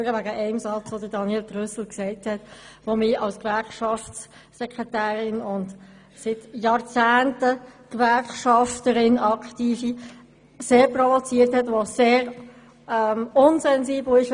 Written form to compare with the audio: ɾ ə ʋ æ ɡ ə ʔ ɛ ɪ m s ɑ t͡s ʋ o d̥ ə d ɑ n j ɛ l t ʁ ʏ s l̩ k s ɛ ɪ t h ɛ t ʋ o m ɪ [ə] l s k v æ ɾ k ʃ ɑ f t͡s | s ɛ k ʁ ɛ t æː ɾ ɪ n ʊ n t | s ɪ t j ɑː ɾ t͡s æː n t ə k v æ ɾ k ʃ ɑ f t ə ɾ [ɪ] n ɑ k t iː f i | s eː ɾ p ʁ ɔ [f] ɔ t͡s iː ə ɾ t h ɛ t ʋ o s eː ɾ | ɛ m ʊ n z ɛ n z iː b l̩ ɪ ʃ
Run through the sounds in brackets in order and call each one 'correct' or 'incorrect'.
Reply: incorrect: ɑ, correct, incorrect: v

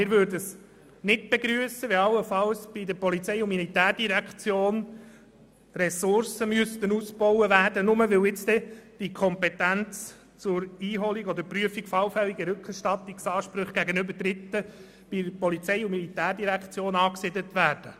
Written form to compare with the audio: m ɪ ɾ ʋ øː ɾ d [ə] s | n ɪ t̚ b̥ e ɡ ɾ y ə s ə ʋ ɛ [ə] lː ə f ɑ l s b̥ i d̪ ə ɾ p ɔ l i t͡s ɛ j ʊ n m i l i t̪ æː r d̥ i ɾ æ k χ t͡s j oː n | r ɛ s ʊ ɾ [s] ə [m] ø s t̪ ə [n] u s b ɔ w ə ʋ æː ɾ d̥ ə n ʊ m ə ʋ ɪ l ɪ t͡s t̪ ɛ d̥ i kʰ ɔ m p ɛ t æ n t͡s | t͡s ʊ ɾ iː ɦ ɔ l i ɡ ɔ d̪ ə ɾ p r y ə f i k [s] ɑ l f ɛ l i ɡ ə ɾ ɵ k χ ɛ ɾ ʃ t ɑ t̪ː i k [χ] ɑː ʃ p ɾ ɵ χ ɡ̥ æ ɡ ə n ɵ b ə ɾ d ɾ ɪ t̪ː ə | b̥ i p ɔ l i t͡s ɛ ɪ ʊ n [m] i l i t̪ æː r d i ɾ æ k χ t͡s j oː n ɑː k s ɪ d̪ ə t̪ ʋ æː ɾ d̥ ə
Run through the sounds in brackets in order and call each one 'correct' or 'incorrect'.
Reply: correct, incorrect: ɑ, correct, correct, correct, incorrect: f, incorrect: s, correct

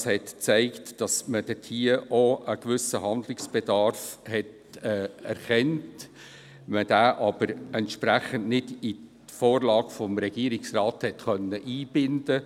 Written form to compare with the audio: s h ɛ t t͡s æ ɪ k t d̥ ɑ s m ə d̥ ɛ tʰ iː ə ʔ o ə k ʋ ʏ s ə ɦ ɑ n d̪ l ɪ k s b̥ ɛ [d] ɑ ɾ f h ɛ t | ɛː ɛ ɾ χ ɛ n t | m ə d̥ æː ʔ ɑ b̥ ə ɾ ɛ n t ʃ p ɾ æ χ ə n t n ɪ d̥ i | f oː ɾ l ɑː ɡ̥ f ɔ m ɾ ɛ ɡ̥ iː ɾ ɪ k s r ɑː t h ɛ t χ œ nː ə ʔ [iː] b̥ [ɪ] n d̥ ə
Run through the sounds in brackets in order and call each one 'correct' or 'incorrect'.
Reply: correct, correct, correct

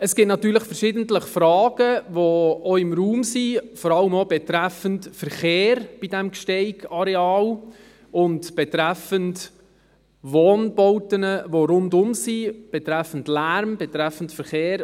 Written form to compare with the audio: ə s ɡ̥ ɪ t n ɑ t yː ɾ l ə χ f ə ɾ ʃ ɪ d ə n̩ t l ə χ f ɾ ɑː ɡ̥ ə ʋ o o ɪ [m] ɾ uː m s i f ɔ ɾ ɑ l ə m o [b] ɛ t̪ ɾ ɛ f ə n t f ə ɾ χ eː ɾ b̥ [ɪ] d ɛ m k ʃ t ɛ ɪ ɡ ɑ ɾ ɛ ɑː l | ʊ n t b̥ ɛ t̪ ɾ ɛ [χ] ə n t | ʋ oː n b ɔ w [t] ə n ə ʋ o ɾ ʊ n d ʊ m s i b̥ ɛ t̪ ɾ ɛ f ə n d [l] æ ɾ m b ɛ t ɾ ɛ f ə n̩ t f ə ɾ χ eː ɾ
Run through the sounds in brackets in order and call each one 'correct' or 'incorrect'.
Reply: correct, correct, incorrect: i, incorrect: f, correct, correct

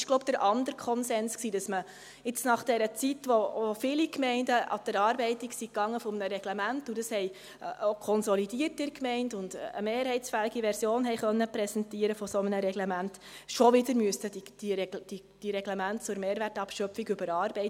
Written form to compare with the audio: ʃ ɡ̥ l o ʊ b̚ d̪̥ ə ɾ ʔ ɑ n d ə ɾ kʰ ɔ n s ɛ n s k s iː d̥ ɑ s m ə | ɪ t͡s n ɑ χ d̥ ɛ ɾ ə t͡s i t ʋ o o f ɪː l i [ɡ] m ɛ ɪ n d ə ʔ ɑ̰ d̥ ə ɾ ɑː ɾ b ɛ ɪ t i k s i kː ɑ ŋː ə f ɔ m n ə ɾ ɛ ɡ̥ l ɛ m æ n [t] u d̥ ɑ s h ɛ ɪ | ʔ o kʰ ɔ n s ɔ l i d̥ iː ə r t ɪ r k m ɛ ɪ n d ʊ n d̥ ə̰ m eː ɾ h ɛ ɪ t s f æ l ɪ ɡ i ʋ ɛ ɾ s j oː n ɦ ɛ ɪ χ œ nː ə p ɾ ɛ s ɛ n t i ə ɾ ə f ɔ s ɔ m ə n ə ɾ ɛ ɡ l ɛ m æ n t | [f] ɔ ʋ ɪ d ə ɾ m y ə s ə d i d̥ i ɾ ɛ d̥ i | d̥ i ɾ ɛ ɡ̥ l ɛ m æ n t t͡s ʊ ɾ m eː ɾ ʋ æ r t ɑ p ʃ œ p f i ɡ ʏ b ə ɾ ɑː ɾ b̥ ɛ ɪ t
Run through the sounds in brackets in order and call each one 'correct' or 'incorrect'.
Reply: incorrect: k, correct, incorrect: ʃ

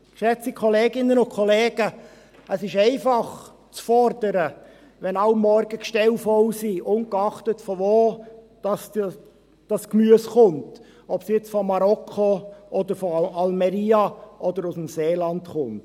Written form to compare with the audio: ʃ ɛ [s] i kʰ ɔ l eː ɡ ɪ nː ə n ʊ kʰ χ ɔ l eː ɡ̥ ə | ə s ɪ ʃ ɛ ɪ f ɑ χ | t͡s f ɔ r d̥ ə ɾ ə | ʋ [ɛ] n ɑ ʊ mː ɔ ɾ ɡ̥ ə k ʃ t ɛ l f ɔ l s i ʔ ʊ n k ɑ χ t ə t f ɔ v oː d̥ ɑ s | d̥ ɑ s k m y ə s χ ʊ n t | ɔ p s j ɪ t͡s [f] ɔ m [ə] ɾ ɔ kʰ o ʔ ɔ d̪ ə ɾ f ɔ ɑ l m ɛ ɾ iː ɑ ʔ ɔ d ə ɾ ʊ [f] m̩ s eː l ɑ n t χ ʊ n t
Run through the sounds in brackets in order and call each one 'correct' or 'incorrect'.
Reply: incorrect: t͡s, correct, correct, incorrect: ɑ, incorrect: s

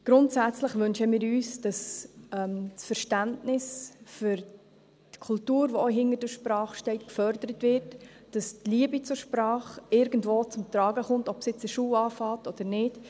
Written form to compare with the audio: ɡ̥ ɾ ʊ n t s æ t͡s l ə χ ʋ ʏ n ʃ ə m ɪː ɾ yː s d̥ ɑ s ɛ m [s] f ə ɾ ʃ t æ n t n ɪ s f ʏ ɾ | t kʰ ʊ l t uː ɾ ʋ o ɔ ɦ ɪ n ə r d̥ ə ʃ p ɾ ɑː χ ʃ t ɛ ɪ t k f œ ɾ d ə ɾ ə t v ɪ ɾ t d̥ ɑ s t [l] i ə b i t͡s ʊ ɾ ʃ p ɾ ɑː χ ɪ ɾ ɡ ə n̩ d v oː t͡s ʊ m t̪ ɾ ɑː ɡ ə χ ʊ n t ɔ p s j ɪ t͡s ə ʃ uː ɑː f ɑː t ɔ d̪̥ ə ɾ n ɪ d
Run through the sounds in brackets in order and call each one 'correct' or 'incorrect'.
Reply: correct, correct

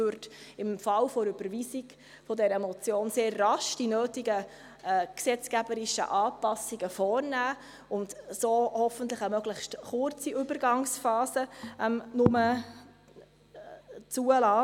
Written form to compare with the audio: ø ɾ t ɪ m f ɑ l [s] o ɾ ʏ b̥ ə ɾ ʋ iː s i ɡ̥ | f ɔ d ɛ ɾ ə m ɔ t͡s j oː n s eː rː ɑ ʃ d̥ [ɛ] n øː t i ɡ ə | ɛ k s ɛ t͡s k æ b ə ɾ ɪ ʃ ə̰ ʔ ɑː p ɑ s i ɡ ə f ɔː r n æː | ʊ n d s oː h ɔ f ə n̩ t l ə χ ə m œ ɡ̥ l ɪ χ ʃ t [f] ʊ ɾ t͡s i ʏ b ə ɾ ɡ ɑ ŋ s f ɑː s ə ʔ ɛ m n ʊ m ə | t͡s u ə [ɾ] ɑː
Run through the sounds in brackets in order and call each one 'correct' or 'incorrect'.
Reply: incorrect: f, incorrect: i, incorrect: χ, incorrect: l

